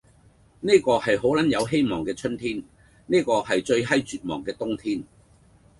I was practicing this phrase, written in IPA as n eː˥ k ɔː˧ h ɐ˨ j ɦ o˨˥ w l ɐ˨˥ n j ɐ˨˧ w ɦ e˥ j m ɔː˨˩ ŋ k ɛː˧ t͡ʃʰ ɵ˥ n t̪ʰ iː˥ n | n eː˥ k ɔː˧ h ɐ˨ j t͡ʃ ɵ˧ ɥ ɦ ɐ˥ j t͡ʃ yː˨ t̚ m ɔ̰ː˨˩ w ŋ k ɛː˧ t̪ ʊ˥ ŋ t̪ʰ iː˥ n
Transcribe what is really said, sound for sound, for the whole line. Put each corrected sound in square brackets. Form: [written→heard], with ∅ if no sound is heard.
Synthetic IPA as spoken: n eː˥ k ɔː˧ h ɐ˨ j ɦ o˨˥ w l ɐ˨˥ n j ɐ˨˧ w ɦ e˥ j m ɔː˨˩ ŋ k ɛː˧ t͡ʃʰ ɵ˥ n t̪ʰ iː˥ n | n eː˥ k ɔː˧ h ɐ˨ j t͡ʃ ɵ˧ ɥ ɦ ɐ˥ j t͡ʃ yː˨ t̚ m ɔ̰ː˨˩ [w→∅] ŋ k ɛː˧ t̪ ʊ˥ ŋ t̪ʰ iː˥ n